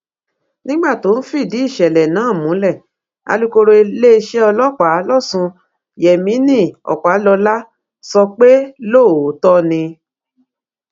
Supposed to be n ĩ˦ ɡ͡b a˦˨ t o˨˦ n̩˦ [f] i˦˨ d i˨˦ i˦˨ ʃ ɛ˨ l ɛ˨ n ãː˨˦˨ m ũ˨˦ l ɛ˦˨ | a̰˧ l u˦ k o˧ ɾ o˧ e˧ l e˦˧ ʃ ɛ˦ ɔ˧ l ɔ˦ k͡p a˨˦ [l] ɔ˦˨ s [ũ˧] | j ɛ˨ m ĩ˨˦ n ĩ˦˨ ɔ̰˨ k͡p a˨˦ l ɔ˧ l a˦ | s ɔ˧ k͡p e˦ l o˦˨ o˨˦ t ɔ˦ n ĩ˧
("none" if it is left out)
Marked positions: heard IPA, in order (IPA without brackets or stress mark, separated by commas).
f, l, ũ˧